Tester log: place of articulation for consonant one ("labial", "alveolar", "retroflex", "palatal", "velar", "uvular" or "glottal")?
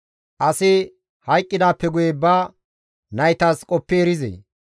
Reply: glottal